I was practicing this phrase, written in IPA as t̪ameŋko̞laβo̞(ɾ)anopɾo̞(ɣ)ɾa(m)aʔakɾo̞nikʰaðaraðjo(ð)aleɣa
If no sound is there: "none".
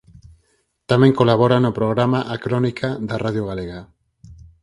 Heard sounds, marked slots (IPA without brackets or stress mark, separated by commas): ɾ, ɣ, m, ɣ